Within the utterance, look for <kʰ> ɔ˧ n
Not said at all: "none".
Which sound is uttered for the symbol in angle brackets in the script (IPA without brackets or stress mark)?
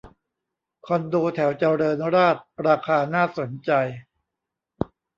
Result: kʰ